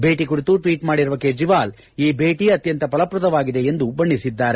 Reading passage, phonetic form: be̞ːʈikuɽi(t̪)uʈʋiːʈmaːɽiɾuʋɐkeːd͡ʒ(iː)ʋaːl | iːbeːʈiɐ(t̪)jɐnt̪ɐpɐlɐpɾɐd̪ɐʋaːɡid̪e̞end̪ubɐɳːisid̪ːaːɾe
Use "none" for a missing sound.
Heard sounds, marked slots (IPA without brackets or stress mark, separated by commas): t̪, i, t̪